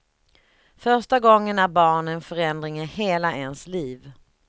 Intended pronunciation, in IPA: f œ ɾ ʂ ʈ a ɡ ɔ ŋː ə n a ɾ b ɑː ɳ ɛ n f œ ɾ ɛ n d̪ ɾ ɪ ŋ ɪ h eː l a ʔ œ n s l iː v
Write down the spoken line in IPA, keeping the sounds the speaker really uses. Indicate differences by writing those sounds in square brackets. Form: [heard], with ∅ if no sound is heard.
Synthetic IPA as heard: f œ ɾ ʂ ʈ a ɡ ɔ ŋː ə n [æ] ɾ b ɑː ɳ ɛ n f œ ɾ ɛ n d̪ ɾ ɪ ŋ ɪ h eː l a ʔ [ɛ] n s l iː v